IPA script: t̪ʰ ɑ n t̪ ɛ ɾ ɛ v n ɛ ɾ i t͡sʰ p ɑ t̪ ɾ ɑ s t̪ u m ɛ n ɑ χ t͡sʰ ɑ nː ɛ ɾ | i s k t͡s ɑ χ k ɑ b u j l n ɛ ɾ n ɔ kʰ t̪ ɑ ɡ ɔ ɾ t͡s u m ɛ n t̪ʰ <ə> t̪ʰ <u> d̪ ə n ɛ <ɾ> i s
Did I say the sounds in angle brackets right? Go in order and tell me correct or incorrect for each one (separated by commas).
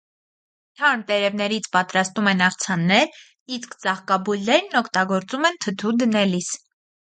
correct, correct, incorrect